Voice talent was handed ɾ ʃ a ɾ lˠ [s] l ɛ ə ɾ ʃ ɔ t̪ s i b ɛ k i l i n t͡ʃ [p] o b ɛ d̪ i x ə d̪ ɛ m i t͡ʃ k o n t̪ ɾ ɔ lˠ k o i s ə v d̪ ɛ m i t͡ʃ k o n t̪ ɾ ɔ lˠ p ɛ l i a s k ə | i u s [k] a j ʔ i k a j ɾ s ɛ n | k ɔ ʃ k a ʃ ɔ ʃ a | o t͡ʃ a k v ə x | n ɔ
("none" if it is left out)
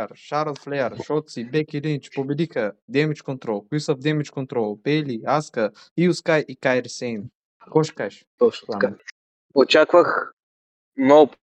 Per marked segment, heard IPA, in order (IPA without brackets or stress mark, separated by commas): f, p, k